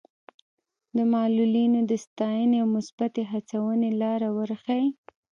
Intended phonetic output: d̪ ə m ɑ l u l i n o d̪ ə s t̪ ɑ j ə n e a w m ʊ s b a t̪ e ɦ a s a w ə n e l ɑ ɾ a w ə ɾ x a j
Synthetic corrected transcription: d̪ ə m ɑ l u l i n o d̪ ə s t̪ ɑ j ə n e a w m ʊ s b a t̪ e ɦ a t͡s a w ə n e l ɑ ɾ a w ə ɾ x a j